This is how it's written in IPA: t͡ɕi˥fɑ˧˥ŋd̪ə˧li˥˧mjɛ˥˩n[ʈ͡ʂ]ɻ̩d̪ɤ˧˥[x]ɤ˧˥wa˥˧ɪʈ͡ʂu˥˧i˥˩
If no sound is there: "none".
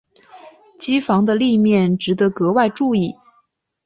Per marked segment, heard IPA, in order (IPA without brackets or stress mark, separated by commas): ʈ͡ʂ, k